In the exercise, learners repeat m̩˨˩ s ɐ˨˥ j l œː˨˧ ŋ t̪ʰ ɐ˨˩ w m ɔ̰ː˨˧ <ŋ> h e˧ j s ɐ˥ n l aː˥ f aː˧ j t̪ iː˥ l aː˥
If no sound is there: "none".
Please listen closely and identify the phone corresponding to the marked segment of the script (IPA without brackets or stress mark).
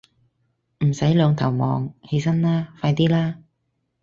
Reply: ŋ